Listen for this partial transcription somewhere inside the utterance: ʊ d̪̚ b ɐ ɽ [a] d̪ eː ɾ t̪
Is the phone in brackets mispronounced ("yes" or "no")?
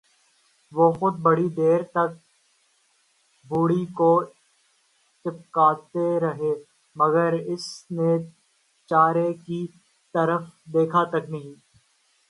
yes